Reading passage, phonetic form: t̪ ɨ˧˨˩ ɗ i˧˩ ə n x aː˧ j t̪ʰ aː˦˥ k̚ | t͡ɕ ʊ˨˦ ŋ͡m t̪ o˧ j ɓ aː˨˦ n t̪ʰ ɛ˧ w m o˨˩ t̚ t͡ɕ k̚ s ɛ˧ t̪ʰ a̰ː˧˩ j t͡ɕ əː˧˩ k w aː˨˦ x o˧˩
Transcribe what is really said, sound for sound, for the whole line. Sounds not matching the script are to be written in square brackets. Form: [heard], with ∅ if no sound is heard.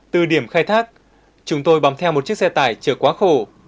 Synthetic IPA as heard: t̪ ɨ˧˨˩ ɗ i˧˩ ə [m] x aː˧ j t̪ʰ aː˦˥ k̚ | t͡ɕ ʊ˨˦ ŋ͡m t̪ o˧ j ɓ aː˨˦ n t̪ʰ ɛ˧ w m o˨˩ t̚ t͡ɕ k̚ s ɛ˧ [t̪] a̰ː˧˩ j t͡ɕ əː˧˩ k w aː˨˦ x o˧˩